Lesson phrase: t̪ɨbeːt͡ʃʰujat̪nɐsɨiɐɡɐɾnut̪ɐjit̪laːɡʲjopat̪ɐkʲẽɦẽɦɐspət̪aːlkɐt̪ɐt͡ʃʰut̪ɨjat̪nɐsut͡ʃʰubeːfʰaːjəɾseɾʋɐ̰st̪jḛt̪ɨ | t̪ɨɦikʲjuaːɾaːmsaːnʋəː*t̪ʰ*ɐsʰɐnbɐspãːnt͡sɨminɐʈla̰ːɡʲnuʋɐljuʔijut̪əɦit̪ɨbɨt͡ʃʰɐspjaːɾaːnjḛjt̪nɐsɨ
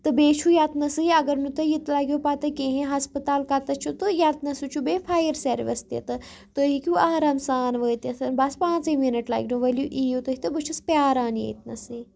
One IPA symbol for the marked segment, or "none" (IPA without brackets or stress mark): t̪